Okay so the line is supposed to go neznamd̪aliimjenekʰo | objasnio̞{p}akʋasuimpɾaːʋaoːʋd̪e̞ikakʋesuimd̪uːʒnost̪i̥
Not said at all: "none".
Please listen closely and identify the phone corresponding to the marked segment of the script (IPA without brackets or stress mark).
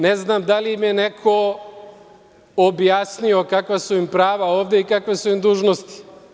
k